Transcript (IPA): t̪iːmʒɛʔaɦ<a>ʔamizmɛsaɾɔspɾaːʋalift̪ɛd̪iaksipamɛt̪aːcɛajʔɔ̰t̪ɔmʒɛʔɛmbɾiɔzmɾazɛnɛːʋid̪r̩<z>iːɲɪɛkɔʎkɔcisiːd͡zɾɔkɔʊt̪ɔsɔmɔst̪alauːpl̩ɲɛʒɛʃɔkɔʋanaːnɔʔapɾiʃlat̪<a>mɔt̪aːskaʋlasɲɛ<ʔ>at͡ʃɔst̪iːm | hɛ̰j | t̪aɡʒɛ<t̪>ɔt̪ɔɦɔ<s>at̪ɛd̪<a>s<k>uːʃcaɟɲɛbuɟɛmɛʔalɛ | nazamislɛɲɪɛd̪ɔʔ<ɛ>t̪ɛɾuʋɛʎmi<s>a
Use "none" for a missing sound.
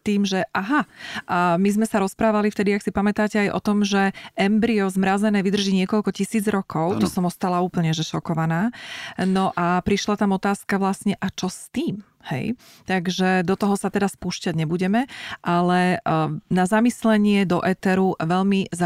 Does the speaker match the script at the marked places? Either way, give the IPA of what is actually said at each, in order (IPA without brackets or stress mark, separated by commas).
a, ʒ, a, ʔ, d̪, s, a, p, ɛ, z